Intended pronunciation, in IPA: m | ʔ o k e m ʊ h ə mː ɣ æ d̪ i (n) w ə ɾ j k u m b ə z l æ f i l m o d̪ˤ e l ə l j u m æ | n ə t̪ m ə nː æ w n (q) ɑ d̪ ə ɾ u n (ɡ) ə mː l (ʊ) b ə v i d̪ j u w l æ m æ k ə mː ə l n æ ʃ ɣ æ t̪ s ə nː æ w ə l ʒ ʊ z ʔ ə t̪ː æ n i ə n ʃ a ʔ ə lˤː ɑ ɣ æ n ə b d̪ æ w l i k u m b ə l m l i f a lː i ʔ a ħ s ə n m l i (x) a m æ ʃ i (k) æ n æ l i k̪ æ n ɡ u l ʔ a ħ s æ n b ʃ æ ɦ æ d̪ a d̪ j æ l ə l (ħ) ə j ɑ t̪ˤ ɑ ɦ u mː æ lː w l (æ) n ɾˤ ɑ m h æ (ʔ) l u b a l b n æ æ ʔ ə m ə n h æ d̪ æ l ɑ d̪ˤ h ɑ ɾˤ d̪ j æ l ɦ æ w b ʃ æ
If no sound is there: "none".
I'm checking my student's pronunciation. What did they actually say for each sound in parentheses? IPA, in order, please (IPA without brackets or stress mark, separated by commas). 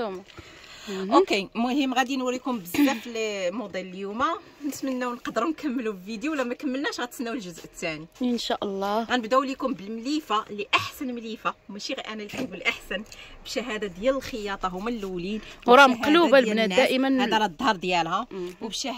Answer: n, q, k, u, f, ʔ, x, i, q